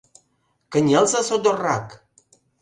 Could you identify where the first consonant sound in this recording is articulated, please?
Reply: velar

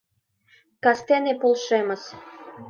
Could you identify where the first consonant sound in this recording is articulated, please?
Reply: velar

